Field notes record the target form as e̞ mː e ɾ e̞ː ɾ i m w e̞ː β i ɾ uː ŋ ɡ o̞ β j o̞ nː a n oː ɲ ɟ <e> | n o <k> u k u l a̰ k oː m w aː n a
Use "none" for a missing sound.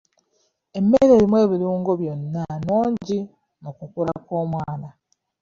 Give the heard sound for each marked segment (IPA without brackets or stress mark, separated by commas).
i, k